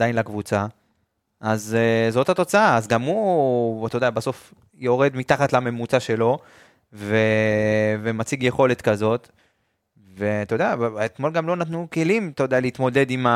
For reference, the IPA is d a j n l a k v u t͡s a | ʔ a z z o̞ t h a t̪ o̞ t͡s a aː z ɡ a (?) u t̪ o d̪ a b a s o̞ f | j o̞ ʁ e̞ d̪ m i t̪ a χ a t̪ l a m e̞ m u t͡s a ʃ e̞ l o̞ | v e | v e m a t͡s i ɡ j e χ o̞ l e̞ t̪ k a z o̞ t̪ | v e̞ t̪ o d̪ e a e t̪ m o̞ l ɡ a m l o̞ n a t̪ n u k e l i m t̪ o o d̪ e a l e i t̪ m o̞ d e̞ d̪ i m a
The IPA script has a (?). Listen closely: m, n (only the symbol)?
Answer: m